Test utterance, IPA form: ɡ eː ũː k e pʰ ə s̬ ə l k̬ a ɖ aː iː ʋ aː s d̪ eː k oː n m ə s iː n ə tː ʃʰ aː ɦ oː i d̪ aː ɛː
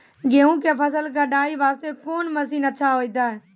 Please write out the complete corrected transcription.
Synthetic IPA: ɡ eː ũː k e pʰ ə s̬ ə l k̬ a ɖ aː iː ʋ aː s t̪ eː k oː n m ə s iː n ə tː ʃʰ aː ɦ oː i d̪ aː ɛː